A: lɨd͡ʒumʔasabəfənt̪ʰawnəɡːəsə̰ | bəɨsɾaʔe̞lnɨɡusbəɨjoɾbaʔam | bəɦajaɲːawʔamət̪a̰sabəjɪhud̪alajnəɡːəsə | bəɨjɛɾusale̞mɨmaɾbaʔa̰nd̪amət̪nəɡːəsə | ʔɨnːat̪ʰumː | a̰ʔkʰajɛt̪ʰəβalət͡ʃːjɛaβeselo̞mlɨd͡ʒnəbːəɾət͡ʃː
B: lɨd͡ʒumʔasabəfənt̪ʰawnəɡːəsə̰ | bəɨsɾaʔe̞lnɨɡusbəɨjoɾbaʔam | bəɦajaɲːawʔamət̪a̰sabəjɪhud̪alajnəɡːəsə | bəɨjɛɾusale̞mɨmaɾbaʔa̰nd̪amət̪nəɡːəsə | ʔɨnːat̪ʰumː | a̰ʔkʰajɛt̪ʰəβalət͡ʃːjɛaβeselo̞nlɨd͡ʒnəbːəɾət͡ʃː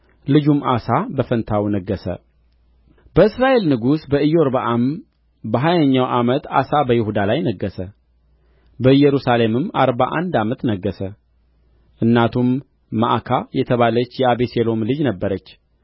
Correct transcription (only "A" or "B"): A